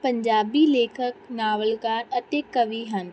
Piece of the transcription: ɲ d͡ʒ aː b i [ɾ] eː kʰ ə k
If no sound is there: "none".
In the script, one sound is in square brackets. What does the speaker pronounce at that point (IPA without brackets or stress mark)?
l